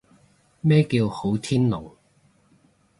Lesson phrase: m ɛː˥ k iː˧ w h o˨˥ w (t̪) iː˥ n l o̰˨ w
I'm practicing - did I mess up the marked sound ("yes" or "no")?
yes